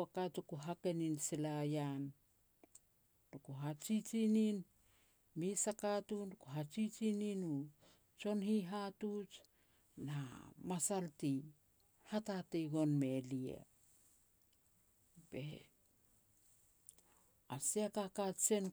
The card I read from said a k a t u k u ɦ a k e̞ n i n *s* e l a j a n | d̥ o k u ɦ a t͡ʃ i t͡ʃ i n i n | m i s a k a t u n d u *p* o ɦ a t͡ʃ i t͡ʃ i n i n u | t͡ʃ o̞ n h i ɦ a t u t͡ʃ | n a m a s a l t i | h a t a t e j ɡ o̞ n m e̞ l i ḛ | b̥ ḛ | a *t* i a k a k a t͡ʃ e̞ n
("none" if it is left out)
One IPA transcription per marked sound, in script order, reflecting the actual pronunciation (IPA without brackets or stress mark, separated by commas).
s, k, s